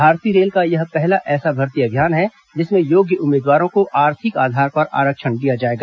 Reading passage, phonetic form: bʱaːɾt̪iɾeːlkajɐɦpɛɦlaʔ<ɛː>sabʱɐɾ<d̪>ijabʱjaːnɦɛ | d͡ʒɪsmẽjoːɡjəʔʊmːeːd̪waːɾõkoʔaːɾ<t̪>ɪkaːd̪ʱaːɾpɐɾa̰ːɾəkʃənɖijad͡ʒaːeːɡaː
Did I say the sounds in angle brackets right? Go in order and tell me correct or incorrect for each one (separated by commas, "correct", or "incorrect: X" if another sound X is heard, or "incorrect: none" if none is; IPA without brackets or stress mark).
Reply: correct, incorrect: t̪, incorrect: t̪ʰ